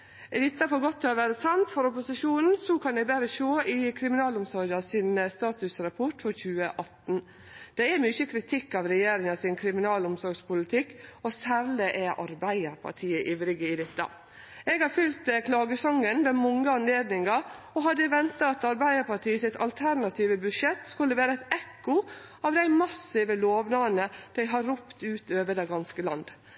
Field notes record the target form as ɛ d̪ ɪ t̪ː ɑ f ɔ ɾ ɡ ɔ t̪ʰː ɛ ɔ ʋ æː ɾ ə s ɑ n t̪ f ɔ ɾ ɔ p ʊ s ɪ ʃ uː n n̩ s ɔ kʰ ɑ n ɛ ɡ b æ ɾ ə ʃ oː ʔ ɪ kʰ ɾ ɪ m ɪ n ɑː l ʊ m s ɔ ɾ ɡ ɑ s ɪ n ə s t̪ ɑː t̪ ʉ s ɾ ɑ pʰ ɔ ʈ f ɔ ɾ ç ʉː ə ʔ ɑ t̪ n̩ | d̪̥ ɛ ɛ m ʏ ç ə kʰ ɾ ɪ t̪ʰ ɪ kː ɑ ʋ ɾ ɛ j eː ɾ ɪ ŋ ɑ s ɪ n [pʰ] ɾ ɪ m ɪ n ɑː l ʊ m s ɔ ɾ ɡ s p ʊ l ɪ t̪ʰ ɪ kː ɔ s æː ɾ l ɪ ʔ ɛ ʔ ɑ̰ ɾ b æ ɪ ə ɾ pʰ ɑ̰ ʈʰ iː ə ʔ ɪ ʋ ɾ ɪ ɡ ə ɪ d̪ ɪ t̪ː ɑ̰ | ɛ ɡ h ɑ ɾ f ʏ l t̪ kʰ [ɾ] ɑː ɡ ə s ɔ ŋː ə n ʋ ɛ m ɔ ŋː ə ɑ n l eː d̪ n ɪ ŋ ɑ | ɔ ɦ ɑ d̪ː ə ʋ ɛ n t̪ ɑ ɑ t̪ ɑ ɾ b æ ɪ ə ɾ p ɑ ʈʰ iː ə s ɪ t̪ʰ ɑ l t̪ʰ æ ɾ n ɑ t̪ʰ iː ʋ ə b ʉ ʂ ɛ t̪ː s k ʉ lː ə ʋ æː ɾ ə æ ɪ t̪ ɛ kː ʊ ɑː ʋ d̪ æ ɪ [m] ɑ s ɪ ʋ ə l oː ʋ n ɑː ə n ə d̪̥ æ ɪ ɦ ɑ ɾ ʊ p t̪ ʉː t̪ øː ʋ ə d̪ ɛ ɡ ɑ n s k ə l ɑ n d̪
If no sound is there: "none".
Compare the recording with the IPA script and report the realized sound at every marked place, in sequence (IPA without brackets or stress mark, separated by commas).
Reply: kʰ, l, m